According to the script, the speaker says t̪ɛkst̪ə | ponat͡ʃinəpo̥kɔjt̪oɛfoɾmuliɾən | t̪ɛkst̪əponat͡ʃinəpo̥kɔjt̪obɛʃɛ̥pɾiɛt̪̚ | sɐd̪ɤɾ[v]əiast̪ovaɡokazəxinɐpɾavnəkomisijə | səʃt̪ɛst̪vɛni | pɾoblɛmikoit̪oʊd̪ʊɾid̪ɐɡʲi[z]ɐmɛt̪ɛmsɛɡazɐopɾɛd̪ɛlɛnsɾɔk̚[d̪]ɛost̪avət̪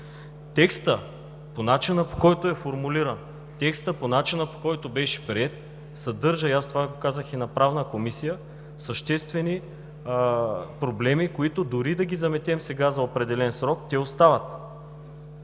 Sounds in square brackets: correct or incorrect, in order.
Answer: incorrect, correct, incorrect

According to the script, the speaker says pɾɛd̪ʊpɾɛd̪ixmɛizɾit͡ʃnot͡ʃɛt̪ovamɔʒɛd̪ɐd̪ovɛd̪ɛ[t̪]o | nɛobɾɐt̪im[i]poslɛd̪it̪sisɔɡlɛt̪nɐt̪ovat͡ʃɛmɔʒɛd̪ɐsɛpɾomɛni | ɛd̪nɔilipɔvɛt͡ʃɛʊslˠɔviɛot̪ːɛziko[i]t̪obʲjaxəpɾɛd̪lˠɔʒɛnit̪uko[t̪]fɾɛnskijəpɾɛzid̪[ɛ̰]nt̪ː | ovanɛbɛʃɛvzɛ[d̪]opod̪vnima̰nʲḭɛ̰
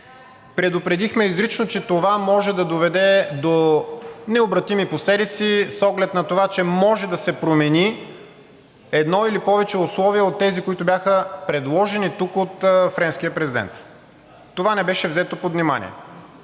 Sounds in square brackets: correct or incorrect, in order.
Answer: incorrect, correct, correct, correct, correct, incorrect

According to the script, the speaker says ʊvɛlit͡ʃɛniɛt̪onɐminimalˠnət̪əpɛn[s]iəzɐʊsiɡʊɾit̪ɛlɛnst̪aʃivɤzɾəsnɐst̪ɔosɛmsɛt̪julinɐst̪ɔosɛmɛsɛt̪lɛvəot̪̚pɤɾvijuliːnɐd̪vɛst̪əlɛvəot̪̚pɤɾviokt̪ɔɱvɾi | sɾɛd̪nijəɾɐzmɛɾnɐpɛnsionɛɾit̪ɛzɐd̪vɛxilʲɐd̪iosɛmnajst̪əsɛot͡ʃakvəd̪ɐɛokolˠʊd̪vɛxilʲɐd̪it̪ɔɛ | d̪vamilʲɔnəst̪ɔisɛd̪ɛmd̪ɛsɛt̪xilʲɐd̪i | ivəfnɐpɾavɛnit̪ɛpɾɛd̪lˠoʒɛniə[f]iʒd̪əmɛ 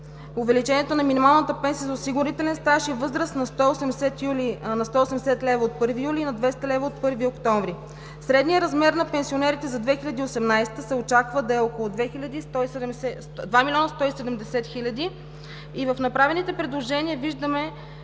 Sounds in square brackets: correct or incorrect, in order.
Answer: correct, incorrect

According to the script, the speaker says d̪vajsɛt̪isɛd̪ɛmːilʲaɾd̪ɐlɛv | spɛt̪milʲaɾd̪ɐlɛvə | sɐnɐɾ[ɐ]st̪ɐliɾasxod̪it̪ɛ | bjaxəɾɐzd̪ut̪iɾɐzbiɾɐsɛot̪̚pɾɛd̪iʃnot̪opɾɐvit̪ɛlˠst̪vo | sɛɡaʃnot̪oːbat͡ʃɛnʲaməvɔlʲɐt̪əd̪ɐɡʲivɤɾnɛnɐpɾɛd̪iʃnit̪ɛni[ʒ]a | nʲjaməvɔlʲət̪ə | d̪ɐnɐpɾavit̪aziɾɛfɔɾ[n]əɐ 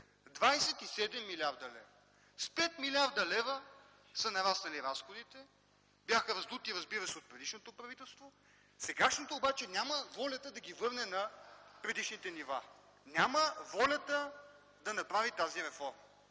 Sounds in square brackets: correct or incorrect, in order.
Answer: incorrect, incorrect, incorrect

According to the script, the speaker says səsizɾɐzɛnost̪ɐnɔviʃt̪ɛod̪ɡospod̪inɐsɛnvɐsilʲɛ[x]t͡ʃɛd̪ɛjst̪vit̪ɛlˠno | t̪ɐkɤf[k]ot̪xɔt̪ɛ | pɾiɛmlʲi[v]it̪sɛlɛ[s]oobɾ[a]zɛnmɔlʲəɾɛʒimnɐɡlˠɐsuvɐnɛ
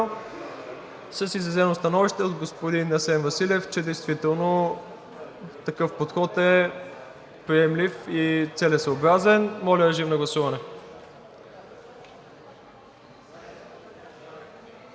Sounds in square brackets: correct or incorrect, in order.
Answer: incorrect, incorrect, incorrect, correct, correct

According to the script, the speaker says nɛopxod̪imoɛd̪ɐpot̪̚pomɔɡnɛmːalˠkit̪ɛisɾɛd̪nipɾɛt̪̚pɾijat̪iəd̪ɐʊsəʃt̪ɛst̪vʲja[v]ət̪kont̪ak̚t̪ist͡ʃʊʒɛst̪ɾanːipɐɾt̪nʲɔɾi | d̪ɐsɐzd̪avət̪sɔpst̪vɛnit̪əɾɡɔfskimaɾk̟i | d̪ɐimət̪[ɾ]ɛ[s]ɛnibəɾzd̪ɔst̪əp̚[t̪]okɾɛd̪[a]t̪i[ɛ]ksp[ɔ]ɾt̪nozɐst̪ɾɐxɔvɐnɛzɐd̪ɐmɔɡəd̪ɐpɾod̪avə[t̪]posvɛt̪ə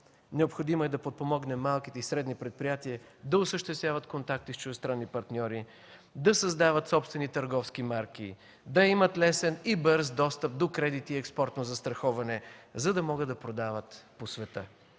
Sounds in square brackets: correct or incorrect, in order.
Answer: correct, incorrect, correct, incorrect, incorrect, correct, correct, correct

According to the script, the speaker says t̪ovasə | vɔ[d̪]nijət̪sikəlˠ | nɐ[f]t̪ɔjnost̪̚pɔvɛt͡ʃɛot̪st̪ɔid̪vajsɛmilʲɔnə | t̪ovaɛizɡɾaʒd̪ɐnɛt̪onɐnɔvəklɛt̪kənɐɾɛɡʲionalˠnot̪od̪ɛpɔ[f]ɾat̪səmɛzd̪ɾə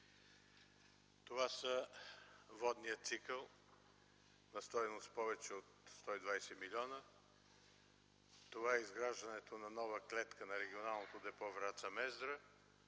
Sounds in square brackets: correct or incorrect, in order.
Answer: correct, incorrect, incorrect

